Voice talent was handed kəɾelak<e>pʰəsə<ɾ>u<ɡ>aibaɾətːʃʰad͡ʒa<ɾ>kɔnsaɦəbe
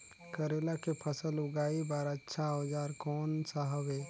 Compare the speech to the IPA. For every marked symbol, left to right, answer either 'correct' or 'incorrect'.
correct, incorrect, correct, correct

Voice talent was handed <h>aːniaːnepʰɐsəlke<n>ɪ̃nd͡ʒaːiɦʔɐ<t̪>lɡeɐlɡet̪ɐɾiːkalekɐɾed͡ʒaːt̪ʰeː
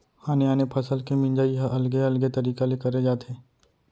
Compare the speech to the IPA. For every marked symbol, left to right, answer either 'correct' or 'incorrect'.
correct, incorrect, incorrect

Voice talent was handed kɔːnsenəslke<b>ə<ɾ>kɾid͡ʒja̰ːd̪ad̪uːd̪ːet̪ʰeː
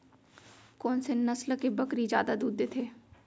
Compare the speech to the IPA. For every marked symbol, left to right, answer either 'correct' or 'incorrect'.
correct, incorrect

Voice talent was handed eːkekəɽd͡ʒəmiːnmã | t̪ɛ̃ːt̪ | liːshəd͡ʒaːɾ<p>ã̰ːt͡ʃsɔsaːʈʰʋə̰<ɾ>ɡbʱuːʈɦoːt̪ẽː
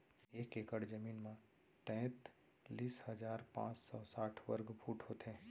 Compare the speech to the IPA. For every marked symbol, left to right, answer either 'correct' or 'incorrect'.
correct, correct

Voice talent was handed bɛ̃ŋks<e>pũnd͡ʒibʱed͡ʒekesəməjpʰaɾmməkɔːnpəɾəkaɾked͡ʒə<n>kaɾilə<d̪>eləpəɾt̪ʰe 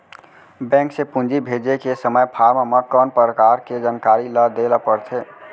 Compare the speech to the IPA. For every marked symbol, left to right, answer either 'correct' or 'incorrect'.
correct, correct, correct

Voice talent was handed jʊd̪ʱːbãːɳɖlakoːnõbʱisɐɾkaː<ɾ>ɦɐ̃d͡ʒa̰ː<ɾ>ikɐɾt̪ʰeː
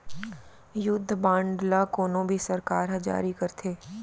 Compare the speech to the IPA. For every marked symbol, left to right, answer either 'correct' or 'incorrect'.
correct, correct

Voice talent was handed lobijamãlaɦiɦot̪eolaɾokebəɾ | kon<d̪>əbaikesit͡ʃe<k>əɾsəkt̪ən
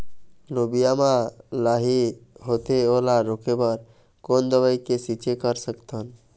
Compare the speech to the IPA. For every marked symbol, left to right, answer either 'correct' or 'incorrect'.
correct, correct

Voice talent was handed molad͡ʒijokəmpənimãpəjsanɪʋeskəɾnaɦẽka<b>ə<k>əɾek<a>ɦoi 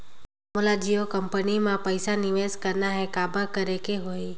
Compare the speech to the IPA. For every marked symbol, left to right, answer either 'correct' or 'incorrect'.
correct, correct, incorrect

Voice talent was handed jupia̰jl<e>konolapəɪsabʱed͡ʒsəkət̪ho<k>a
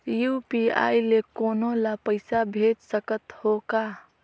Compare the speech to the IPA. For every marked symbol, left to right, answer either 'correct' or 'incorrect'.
correct, correct

